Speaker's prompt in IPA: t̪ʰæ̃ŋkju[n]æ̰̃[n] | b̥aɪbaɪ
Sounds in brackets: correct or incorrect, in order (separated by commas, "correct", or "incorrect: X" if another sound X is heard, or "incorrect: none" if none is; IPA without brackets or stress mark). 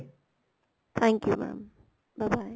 incorrect: m, incorrect: m